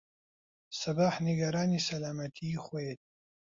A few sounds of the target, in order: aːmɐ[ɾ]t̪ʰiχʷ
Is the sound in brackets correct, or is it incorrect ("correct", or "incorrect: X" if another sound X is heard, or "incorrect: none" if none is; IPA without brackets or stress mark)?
incorrect: none